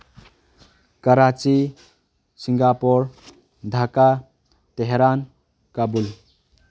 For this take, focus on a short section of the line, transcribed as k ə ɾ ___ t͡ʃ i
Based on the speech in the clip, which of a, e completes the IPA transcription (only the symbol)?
a